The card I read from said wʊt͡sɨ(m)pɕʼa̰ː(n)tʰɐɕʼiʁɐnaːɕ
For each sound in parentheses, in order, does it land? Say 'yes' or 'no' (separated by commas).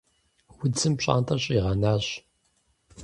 yes, yes